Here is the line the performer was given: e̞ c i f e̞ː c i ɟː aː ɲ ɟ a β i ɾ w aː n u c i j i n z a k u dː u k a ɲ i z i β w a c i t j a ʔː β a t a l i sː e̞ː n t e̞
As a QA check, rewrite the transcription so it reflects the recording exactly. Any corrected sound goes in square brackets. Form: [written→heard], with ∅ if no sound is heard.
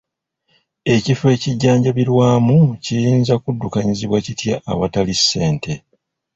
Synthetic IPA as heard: e̞ c i f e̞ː c i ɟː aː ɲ ɟ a β i ɾ w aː [n→m] u c i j [i→iː] n z a k u dː u k a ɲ i z i β w a c i t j a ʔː β a t a l i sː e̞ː n t e̞